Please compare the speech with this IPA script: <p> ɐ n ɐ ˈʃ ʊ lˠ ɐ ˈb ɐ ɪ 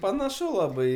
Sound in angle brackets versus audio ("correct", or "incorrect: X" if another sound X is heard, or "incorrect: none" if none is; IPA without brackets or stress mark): correct